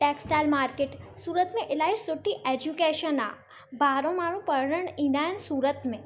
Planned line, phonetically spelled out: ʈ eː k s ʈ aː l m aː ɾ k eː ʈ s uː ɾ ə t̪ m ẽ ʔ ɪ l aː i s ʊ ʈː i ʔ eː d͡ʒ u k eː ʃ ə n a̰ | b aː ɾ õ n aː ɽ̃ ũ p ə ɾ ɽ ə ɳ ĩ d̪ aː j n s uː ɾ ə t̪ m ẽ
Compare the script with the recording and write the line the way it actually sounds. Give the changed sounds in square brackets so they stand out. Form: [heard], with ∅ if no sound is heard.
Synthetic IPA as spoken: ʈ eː k s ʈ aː l m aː ɾ k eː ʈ s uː ɾ ə t̪ m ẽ ʔ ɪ l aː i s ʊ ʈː i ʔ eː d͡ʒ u k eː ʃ ə n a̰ | b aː ɾ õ [m] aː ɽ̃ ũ p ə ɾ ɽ ə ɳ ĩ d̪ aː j n s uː ɾ ə t̪ m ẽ